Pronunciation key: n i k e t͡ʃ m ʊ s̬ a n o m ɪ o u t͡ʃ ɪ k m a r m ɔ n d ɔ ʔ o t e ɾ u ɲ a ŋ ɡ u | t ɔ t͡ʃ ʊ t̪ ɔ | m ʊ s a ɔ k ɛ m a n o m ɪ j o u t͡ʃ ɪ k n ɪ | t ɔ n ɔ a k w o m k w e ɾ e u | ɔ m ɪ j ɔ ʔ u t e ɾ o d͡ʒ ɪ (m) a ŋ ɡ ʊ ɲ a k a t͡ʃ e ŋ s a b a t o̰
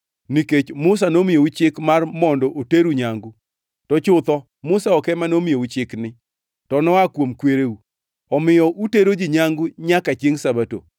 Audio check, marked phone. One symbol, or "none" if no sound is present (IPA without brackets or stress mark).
ɲ